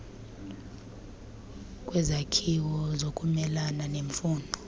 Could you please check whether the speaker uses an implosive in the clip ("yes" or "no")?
no